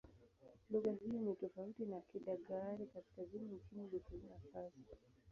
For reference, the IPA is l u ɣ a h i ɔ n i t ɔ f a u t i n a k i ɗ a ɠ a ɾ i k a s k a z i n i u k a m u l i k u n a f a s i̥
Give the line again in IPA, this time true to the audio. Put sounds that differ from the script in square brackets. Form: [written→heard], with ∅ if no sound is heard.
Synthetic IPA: l u ɣ a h i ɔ n i t ɔ f a u t i n a k i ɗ a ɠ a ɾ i k a s k a z i n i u k [a→i] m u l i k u n a f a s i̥